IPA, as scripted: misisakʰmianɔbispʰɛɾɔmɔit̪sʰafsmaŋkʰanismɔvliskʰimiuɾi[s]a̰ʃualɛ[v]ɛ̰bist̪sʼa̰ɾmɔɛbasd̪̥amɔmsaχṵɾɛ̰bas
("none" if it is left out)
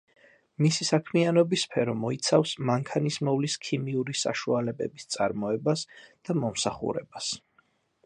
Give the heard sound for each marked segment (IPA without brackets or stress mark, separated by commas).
s, b